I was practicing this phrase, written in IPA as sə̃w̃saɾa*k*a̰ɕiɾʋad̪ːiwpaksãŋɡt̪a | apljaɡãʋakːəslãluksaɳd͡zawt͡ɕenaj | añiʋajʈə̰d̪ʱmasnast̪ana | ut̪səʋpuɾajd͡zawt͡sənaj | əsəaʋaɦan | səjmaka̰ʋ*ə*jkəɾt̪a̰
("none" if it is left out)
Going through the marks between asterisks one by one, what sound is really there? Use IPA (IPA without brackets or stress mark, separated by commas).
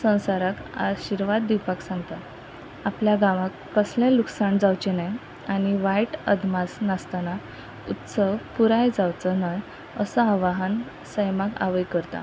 k, ə